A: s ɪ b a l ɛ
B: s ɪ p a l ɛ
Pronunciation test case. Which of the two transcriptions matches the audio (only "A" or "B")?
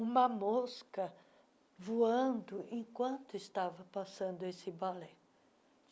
A